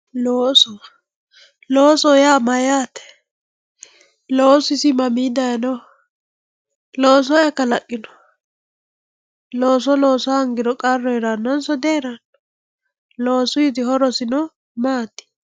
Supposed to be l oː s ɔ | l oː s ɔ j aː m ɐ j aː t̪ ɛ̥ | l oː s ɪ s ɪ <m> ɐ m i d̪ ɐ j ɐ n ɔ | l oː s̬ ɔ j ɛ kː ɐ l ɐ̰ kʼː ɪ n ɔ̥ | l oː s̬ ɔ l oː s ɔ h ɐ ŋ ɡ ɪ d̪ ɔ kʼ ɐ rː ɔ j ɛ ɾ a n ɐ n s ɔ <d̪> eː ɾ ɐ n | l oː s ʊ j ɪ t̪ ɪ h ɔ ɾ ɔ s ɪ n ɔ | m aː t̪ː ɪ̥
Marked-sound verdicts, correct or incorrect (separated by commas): correct, correct